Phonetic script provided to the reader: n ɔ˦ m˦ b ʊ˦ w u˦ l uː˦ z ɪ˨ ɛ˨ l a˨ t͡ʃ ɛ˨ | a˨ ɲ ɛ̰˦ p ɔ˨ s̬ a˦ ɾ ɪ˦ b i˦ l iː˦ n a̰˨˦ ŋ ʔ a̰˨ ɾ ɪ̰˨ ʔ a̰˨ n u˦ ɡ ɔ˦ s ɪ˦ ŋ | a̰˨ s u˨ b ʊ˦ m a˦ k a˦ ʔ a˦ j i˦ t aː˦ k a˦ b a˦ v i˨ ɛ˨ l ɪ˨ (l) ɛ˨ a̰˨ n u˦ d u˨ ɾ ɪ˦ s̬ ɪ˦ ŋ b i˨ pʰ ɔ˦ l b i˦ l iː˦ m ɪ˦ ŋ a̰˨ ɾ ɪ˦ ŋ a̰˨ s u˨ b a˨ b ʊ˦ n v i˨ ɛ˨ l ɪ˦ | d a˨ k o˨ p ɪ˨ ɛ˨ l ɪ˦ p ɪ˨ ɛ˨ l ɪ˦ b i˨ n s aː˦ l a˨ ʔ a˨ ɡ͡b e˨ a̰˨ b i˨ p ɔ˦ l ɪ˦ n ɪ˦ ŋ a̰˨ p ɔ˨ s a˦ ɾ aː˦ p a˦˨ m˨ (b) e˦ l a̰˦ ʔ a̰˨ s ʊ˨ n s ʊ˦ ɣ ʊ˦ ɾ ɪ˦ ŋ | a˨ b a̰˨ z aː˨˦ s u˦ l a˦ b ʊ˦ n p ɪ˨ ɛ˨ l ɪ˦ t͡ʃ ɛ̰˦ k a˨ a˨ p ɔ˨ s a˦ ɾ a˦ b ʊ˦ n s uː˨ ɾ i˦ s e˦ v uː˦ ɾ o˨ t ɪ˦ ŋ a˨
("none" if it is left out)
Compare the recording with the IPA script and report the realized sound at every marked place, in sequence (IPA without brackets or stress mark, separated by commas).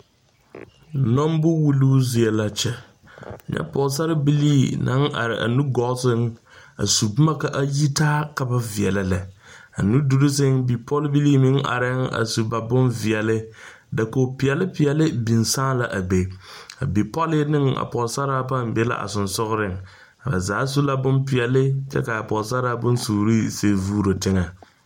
l, b